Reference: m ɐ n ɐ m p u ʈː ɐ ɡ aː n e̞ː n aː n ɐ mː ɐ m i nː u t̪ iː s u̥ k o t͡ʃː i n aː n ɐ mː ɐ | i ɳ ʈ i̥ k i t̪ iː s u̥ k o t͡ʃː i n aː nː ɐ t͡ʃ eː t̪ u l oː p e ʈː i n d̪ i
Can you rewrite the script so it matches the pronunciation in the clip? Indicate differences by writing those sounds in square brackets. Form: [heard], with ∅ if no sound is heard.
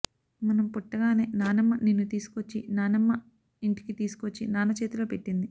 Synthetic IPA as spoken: m ɐ n ɐ m p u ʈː ɐ ɡ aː n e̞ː n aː n ɐ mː ɐ [n] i nː u t̪ iː s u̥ k o t͡ʃː i n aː n ɐ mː ɐ | i ɳ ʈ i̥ k i t̪ iː s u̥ k o t͡ʃː i n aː [n] ɐ t͡ʃ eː t̪ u l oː p e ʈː i n d̪ i